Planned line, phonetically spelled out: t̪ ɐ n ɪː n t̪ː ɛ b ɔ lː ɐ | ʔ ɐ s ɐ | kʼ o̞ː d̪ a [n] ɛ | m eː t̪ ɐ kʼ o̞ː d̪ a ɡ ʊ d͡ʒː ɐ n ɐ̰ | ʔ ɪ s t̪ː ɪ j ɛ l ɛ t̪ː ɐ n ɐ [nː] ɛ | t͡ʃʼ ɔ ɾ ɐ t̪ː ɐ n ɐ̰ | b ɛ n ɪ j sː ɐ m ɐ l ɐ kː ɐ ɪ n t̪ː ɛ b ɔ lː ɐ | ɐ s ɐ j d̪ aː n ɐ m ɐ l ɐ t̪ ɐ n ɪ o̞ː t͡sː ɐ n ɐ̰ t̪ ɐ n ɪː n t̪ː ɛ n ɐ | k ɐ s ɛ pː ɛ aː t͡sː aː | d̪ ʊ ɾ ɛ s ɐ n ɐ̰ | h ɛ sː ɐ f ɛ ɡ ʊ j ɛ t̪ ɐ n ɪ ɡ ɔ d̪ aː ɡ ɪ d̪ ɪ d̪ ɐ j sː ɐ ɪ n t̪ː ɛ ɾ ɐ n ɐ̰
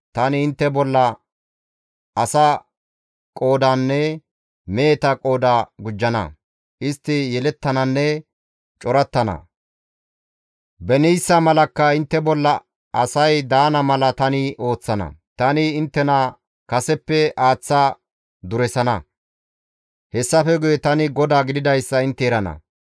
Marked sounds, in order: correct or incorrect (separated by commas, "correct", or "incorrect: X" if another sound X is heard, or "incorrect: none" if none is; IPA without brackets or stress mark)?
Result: incorrect: nː, correct